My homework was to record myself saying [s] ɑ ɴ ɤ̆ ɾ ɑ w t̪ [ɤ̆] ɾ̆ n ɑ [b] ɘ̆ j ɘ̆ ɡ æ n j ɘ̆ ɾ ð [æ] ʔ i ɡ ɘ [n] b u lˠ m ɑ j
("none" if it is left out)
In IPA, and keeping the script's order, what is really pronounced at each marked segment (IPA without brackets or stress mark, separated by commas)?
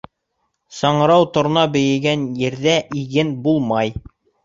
s, ŏ, b, æ, n